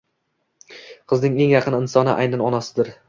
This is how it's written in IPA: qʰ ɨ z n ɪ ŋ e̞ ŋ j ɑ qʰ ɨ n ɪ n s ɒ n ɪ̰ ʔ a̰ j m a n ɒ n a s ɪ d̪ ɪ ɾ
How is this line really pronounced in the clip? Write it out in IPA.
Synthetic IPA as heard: qʰ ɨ z n ɪ ŋ e̞ ŋ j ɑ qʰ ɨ n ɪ n s ɒ n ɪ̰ ʔ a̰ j n a n ɒ n a s ɪ d̪ ɪ ɾ